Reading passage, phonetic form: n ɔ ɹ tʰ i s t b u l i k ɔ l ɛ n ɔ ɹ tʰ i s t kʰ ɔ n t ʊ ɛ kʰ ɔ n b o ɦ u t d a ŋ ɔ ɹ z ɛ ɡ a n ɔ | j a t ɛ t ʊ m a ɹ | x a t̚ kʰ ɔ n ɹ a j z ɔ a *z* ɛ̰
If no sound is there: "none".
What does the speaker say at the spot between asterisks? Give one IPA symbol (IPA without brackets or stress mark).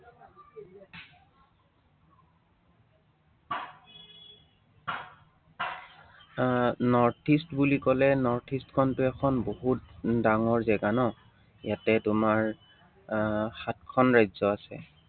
s